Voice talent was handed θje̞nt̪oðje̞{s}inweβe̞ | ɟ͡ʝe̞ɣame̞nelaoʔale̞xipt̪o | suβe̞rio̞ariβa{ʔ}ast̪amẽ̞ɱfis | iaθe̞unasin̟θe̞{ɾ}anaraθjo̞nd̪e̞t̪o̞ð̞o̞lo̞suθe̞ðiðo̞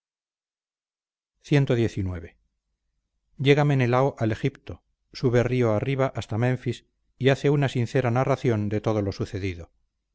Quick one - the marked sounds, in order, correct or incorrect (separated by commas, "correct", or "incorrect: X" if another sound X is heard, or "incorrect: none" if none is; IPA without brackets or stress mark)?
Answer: incorrect: θ, correct, correct